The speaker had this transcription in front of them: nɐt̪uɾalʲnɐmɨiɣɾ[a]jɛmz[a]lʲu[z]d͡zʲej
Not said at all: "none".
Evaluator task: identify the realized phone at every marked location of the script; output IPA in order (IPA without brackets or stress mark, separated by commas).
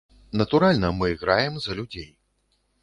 a, ɐ, none